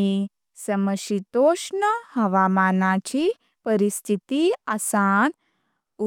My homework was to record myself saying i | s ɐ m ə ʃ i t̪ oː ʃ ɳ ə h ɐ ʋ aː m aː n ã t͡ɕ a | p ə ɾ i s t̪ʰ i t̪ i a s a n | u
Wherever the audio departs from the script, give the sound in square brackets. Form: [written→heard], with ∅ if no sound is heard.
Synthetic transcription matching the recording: i | s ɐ m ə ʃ i t̪ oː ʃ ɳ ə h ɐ ʋ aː m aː n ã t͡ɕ [a→i] | p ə ɾ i s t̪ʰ i t̪ i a s a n | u